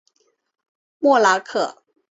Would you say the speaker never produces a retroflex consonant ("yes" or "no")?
yes